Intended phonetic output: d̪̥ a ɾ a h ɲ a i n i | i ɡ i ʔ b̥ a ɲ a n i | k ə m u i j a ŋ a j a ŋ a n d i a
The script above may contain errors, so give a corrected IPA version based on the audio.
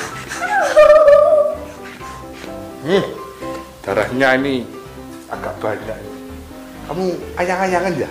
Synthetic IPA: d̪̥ a ɾ a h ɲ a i n i | a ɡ a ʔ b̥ a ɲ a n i | k a m u a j a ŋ a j a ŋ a n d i a